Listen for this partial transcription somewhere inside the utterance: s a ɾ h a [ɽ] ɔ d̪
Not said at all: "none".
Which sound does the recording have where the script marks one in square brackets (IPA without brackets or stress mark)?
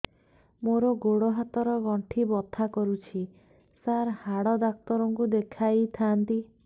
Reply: ɽ